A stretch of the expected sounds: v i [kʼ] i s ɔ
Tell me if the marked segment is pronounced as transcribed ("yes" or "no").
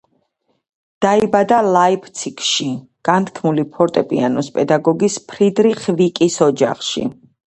yes